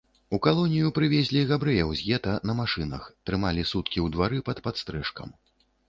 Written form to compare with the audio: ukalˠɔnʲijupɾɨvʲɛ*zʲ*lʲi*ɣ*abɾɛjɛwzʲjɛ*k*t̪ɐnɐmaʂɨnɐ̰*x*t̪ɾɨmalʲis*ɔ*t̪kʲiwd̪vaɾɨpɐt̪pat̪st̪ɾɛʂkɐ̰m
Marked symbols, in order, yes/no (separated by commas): yes, yes, no, yes, no